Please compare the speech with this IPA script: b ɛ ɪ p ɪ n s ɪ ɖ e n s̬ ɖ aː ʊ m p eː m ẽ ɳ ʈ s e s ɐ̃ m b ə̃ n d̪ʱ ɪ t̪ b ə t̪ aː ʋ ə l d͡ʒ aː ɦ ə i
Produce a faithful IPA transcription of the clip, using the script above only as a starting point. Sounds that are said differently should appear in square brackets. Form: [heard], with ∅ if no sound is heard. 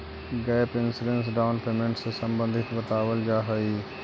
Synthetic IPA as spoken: [ɡ] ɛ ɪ p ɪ n s ɪ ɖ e n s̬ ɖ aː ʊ [n] p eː m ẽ ɳ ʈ s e s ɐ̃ m b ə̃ n d̪ʱ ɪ t̪ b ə t̪ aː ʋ ə l d͡ʒ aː ɦ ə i